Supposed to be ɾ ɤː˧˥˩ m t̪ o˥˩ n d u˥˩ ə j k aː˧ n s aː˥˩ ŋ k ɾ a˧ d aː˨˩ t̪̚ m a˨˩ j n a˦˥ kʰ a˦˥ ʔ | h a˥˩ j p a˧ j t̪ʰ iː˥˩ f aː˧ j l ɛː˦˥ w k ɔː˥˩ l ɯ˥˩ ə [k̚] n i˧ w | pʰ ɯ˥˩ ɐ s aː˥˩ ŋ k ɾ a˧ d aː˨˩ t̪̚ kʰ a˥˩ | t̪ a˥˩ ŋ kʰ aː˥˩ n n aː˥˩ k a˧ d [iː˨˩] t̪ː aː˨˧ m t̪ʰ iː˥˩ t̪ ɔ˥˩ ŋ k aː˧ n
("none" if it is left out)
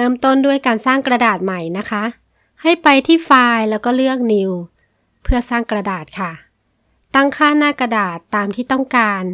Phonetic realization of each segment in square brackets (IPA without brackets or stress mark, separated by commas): k̚, aː˨˩